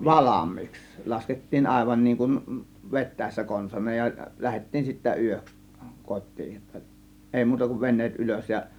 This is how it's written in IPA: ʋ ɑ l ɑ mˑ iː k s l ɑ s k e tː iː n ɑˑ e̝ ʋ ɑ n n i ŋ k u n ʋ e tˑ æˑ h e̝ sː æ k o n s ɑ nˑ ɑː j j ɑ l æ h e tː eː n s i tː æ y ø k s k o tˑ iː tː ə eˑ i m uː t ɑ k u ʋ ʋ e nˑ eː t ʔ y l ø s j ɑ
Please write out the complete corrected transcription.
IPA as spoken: ʋ ɑ l ɑ mˑ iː k s l ɑ s k e tː iː n ɑˑ e̝ ʋ ɑ n n iː ŋ k u n ʋ e tˑ æˑ e̝ sː æ k o n s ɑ nˑ ɑː j j ɑ l æ h e tː iː n s i tː æ y ø k s k o tˑ iː tː ə eˑ i m uː t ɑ k u ʋ ʋ e nˑ eː t ʔ y l ø s j ɑ